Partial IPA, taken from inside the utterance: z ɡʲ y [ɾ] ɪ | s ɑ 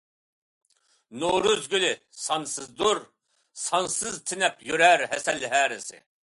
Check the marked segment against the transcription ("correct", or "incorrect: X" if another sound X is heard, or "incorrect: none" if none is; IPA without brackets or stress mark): incorrect: l